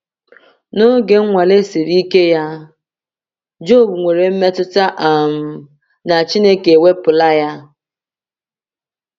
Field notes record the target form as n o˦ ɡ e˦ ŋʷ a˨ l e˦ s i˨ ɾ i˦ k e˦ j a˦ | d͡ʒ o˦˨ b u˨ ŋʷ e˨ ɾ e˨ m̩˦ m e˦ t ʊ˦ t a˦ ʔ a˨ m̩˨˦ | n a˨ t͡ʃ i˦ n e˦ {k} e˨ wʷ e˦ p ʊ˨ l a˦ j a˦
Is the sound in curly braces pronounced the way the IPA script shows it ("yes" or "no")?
yes